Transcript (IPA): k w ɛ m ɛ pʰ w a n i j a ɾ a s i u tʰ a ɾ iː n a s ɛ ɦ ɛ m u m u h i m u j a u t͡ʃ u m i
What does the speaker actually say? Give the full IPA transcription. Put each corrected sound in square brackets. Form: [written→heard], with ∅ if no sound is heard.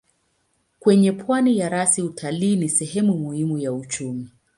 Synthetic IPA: k w ɛ [m→ɲ] ɛ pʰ w a n i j a ɾ a s i u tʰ a [ɾ→l] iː n [a→i] s ɛ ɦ ɛ m u m u h i m u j a u t͡ʃ u m i